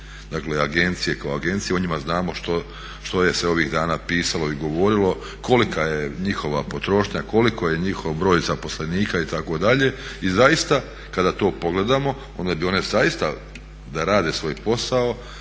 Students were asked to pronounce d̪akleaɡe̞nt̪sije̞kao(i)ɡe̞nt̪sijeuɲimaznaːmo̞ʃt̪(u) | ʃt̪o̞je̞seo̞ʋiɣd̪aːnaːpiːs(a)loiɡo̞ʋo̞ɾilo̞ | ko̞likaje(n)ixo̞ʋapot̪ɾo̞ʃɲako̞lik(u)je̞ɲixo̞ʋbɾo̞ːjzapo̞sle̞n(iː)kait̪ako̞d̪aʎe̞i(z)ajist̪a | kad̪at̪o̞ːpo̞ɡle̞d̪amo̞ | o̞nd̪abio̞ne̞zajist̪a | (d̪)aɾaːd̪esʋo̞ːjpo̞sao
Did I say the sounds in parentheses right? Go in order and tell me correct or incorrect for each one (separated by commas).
incorrect, incorrect, correct, incorrect, incorrect, correct, correct, correct